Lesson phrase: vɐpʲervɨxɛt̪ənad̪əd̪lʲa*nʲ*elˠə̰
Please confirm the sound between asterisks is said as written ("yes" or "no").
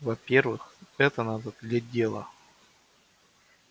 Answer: no